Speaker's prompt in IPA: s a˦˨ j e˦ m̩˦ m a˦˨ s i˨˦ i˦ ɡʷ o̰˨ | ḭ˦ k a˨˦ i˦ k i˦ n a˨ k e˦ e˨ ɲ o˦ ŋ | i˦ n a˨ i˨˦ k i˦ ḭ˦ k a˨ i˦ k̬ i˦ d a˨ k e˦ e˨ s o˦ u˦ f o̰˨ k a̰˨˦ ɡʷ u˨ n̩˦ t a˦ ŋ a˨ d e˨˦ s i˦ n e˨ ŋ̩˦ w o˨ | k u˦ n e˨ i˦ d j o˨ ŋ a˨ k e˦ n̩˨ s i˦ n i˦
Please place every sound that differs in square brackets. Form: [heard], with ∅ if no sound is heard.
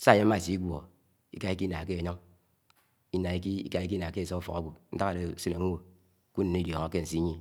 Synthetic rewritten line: s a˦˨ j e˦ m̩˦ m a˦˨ s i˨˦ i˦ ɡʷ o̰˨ | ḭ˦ k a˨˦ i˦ k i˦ n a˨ k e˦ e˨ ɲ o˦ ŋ | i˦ n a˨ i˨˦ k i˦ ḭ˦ k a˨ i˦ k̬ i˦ [n] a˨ k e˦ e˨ s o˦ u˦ f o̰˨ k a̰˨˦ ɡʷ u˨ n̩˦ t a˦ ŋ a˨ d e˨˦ s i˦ n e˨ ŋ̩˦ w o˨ | k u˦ n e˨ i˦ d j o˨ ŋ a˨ k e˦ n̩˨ s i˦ [ɲ] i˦